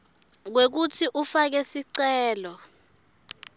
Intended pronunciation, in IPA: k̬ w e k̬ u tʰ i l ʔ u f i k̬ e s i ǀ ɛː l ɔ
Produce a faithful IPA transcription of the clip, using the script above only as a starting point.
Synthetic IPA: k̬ w e k̬ u tʰ i ʔ u f a k̬ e s i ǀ ɛː l ɔ

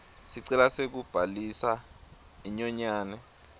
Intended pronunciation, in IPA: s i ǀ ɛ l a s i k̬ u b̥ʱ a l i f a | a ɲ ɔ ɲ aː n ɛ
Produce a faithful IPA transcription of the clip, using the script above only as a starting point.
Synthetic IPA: s i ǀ ɛ l a s e k̬ u b̥ʱ a l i s a | i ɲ ɔ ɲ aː n ɛ

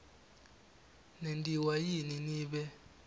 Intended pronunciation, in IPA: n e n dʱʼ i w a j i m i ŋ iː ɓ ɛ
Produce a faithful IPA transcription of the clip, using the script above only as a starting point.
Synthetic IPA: n e n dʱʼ i w a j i n i n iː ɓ ɛ

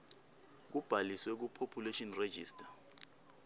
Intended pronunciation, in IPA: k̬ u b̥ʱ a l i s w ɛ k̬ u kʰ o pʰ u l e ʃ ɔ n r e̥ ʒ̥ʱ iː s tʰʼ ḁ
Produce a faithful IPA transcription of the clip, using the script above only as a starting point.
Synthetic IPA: k̬ u b̥ʱ a l i s w ɛ k̬ u pʰ o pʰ u l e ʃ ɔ n r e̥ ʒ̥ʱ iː s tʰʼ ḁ

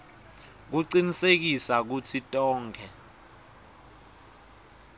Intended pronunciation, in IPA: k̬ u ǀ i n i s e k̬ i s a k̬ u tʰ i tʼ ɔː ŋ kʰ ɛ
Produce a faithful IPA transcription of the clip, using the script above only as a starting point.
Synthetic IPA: k̬ u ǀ i n i s e k̬ i s a k̬ u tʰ i tʼ ɔː ŋ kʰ ɛ

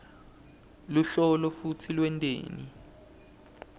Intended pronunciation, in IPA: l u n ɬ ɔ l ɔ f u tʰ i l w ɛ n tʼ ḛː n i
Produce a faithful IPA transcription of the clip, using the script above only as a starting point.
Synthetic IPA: l u ɬ ɔ l ɔ f u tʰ i l w ɛ n tʼ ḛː n i

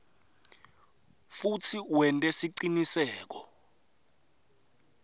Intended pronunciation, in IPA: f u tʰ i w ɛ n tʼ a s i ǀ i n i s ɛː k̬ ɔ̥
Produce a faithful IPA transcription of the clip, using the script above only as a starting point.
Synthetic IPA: f u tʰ i w ɛ n tʼ ɛ s i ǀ i n i s ɛː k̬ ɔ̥

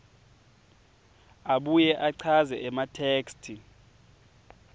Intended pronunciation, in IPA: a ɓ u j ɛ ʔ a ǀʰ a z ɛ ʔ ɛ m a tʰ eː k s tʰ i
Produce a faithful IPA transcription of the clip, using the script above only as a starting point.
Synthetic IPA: a ɓ u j ɛ ʔ a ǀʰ a z ɛ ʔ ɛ m a tʰ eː k s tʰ i

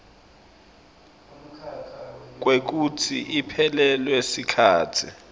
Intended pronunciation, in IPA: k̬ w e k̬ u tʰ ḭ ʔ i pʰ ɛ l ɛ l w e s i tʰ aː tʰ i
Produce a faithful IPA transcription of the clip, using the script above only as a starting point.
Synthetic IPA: k̬ w e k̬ u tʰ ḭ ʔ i pʰ ɛ l ɛ l w e s i kʰ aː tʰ i

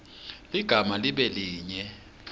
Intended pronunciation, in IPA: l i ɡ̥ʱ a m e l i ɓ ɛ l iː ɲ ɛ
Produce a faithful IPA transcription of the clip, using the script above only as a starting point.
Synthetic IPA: l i ɡ̥ʱ a m a l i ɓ ɛ l iː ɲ ɛ

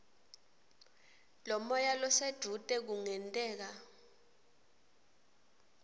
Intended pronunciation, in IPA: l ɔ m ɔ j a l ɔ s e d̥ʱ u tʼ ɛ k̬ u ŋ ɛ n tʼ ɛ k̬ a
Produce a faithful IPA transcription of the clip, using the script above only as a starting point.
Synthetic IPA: l ɔ m ɔ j a l ɔ s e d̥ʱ u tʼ ɛ k̬ u ŋ ɛ n tʼ ɛː k̬ a

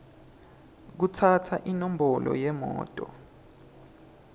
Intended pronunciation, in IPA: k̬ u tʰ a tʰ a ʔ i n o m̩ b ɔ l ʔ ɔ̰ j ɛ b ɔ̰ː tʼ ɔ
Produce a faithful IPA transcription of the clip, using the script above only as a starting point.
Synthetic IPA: k̬ u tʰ a tʰ a ʔ i n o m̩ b ɔ l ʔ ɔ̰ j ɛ m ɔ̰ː tʼ ɔ

